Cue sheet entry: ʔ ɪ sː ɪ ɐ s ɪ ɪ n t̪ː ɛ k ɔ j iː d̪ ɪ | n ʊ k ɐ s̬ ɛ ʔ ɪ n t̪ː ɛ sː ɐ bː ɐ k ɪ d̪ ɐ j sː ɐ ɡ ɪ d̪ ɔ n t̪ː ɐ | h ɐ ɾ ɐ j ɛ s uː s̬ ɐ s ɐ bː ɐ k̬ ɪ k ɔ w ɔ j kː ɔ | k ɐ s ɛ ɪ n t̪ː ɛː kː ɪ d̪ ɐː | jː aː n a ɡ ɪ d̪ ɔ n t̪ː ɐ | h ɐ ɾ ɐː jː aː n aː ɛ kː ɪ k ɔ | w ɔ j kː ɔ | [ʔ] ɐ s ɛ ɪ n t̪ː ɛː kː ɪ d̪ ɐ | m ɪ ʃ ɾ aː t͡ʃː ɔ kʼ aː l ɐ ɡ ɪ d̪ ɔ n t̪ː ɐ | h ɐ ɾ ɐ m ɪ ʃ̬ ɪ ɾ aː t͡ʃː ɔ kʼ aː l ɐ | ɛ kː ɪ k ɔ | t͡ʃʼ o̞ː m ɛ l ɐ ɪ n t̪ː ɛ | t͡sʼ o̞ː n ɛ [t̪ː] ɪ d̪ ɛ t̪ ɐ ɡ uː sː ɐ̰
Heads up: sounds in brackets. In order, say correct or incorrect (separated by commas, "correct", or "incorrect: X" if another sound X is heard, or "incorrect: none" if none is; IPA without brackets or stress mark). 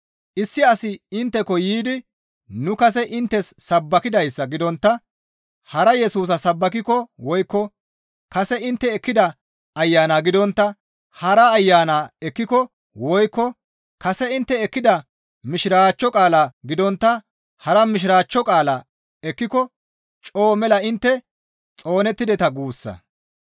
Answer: incorrect: k, correct